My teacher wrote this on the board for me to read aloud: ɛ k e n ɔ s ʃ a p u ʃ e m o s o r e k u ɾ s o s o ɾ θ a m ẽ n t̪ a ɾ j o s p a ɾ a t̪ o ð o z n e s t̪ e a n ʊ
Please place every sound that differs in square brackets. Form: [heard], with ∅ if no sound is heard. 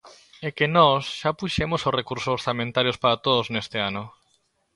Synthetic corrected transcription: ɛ k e n ɔ s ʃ a p u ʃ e m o s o r e k u ɾ s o s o ɾ θ a m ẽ n t̪ a ɾ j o s p a ɾ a t̪ o ð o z n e s t̪ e a n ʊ